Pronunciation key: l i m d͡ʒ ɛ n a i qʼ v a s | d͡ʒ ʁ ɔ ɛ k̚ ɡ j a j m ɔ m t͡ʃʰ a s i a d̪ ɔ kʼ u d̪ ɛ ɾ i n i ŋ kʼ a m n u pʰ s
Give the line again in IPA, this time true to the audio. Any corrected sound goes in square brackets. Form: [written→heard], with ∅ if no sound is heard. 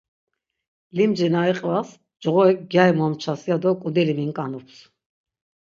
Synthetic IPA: l i m d͡ʒ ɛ n a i qʼ v a s | d͡ʒ ʁ ɔ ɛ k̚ ɡ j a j m ɔ m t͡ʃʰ a s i a d̪ ɔ kʼ u d̪ ɛ [ɾ→l] i [n→m] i ŋ kʼ a [m→∅] n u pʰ s